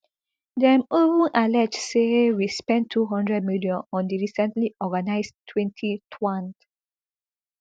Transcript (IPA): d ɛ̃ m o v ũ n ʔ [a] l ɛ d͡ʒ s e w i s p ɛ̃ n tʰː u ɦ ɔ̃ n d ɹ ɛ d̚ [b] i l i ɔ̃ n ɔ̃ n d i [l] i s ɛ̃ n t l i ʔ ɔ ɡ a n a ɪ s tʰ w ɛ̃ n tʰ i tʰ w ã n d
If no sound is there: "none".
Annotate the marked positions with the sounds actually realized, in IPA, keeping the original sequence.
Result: a, m, ɹ

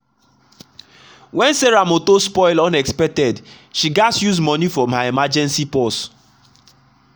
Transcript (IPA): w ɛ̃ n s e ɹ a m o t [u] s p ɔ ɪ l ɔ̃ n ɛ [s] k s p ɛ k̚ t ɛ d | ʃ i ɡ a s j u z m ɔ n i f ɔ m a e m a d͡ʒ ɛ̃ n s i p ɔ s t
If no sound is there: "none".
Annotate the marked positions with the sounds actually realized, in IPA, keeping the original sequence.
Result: o, none

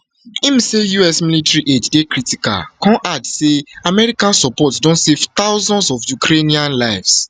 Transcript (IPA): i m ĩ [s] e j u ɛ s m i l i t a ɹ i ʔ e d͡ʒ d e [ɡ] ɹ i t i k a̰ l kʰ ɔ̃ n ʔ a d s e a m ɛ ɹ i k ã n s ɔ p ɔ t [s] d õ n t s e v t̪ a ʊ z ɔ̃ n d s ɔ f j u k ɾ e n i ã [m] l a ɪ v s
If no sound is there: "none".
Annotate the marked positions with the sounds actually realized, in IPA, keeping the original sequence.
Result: s, k, s, n

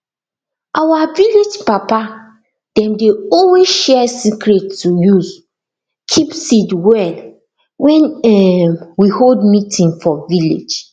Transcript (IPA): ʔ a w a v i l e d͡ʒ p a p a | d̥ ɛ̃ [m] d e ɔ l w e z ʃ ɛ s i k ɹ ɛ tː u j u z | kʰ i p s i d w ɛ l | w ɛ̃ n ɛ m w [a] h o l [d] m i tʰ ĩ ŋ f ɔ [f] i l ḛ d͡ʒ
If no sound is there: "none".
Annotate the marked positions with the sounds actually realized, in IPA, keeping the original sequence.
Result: m, i, d, v

